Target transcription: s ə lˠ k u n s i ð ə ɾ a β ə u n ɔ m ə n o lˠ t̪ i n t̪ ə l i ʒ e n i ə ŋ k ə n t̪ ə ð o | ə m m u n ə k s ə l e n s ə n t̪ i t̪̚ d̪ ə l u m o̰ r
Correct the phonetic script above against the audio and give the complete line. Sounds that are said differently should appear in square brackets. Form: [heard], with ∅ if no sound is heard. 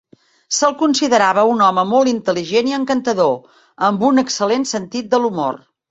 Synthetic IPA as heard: s ə lˠ k u n s i ð ə ɾ a β ə u n ɔ m ə [m] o lˠ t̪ i n t̪ ə l i ʒ e n i ə ŋ k ə n t̪ ə ð o | ə m [b] u n ə k s ə l e n s ə n t̪ i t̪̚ d̪ ə l u m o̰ r